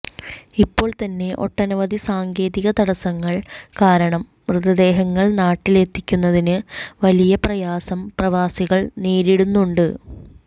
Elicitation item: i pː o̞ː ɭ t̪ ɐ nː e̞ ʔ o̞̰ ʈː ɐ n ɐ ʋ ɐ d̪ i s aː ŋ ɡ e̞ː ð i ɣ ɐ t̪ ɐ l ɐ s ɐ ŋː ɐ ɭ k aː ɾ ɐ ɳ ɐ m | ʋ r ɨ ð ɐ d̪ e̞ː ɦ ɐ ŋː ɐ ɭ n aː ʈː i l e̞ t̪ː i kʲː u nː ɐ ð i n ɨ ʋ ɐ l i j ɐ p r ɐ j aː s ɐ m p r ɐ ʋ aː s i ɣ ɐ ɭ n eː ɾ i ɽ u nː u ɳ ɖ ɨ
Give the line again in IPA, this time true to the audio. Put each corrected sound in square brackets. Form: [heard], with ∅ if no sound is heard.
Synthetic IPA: i pː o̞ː ɭ t̪ ɐ nː e̞ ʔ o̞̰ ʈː ɐ n ɐ ʋ ɐ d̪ i s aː ŋ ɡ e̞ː ð i ɣ ɐ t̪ ɐ [ɽ] ɐ s ɐ ŋː ɐ ɭ k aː ɾ ɐ ɳ ɐ m | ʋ r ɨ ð ɐ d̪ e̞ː ɦ ɐ ŋː ɐ ɭ n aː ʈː i l e̞ t̪ː i kʲː u nː ɐ ð i n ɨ ʋ ɐ l i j ɐ p r ɐ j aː s ɐ m p r ɐ ʋ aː s i ɣ ɐ ɭ n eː ɾ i ɽ u nː u ɳ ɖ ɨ